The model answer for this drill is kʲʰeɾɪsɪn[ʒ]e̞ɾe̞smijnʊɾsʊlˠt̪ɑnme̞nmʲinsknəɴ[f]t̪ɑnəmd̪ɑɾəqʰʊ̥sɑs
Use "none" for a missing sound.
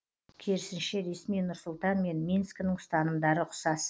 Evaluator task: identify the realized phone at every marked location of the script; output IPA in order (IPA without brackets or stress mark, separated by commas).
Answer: ʃ, s